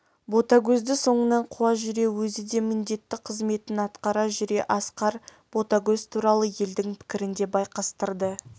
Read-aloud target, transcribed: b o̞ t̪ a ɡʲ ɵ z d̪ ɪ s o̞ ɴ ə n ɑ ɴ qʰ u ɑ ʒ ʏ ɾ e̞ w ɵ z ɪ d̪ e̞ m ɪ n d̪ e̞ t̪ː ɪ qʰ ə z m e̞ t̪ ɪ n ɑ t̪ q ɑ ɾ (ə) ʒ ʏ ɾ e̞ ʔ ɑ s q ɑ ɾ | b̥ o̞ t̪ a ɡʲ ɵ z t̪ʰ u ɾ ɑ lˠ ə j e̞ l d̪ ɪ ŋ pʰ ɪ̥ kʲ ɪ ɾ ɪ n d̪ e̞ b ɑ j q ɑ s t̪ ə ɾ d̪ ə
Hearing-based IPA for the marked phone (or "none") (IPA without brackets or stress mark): ɑ